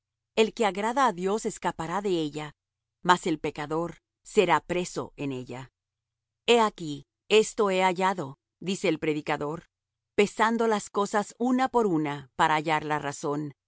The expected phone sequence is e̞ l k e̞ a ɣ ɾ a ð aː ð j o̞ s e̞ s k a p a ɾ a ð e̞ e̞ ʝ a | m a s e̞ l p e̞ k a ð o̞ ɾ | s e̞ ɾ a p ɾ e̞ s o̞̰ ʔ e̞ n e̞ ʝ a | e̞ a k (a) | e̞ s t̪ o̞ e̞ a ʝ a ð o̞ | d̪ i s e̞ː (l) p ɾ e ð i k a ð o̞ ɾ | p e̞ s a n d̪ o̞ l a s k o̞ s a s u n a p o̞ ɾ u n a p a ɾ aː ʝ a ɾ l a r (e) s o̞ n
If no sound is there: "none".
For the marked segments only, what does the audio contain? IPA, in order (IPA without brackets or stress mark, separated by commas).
i, l, a